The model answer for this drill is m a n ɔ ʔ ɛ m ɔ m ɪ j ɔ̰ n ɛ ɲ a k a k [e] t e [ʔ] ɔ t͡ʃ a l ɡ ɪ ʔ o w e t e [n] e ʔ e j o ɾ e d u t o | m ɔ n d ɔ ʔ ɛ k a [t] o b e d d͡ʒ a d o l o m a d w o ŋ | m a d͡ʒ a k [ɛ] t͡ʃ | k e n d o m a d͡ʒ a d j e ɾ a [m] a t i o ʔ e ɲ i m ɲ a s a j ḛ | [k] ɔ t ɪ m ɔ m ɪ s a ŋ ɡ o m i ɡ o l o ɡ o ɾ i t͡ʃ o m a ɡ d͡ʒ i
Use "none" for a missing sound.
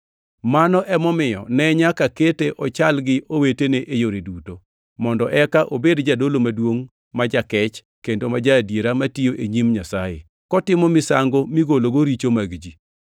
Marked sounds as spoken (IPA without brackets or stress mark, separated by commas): e, ʔ, n, ʔ, ɛ, m, k